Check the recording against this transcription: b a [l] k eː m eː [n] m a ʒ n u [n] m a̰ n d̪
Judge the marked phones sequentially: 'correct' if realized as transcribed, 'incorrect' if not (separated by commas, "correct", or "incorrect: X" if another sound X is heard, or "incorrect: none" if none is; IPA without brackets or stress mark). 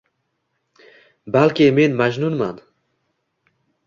correct, correct, correct